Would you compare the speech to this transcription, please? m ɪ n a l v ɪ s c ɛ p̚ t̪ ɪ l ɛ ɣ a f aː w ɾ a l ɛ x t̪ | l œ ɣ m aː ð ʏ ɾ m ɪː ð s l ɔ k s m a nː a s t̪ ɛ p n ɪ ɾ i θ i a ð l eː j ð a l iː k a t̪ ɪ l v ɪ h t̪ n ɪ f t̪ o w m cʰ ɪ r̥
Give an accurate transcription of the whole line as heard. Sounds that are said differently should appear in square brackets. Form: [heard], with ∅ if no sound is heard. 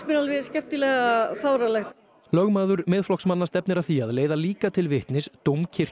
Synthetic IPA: m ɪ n a l v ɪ s c ɛ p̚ t̪ ɪ l ɛ ɣ a f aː w ɾ a l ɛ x t̪ | l œ ɣ m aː ð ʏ ɾ m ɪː ð [f] l ɔ k s m a nː a s t̪ ɛ p n ɪ ɾ [a] θ i a ð l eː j ð a l iː k a [t̪ʰ] ɪ l v ɪ h t̪ n ɪ [s] t̪ o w m cʰ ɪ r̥